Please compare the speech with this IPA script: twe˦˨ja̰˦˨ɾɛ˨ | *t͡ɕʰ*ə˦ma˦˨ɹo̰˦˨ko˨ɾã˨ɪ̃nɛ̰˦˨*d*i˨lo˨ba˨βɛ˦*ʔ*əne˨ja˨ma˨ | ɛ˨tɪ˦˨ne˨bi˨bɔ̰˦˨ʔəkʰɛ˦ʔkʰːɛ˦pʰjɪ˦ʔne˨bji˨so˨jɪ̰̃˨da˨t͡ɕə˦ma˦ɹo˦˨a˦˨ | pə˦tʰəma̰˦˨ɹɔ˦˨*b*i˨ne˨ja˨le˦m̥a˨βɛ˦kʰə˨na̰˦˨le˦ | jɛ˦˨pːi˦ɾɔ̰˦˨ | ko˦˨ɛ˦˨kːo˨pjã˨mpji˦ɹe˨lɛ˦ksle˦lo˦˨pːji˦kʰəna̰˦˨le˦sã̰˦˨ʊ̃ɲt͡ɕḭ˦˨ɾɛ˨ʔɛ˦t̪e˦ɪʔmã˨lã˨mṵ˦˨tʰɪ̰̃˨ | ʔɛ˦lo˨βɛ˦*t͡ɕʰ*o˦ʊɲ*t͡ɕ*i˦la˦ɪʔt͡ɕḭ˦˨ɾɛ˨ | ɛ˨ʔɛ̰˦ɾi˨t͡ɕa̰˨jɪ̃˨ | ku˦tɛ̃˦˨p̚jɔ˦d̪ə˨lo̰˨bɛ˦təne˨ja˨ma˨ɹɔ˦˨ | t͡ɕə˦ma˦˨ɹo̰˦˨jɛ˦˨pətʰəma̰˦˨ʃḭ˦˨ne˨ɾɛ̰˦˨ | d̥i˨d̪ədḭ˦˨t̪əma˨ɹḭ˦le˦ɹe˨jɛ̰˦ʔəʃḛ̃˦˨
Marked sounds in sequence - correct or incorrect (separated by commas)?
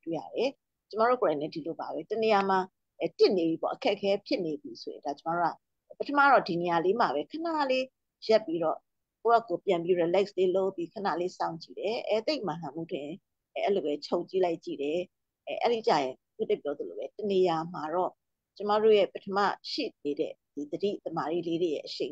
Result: incorrect, correct, incorrect, incorrect, correct, correct